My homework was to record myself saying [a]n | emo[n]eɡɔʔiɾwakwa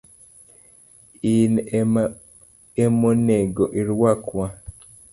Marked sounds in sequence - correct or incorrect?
incorrect: i, correct

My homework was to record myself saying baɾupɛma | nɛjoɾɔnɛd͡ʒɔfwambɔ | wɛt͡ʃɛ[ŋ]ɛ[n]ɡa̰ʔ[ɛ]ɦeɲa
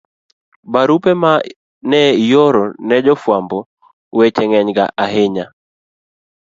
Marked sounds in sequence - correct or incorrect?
correct, incorrect: ɲ, incorrect: a

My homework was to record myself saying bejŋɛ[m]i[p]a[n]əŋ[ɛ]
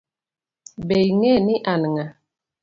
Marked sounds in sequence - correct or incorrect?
incorrect: n, incorrect: ʔ, correct, incorrect: a

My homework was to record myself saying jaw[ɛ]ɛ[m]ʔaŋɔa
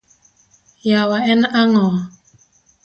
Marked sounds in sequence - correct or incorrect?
incorrect: a, incorrect: n

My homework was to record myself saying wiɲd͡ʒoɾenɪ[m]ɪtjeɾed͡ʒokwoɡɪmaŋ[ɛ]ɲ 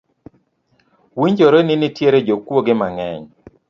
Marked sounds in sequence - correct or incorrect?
incorrect: n, correct

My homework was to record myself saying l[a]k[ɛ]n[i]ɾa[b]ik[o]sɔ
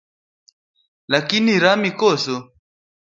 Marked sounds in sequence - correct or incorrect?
correct, incorrect: i, correct, incorrect: m, incorrect: ɔ

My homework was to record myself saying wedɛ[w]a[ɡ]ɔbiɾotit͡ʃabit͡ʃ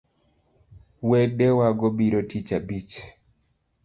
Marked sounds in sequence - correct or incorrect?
correct, correct

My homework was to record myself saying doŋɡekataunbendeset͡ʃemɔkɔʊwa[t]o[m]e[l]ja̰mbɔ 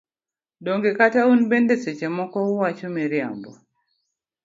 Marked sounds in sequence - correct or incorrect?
incorrect: t͡ʃ, correct, incorrect: ɾ

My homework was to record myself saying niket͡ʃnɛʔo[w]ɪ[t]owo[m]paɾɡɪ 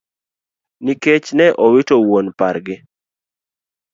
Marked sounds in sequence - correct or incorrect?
correct, correct, incorrect: n

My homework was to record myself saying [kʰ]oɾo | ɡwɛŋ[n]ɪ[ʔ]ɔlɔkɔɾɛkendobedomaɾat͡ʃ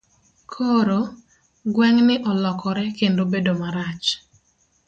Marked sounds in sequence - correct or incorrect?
correct, correct, correct

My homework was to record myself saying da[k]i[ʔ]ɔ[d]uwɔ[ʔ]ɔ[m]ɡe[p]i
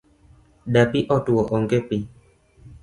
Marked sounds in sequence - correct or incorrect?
incorrect: p, correct, incorrect: t, correct, incorrect: ŋ, correct

